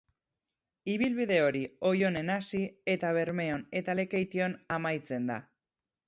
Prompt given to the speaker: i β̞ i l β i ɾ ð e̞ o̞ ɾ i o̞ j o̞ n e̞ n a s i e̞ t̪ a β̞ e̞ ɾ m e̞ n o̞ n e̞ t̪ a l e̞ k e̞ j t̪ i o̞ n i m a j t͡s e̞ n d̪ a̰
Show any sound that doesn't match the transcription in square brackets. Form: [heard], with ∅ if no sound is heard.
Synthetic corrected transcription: i β̞ i l β i [∅] ð e̞ o̞ ɾ i o̞ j o̞ n e̞ n a s i e̞ t̪ a β̞ e̞ ɾ m e̞ [∅] o̞ n e̞ t̪ a l e̞ k e̞ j t̪ i o̞ n [a] m a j t͡s e̞ n d̪ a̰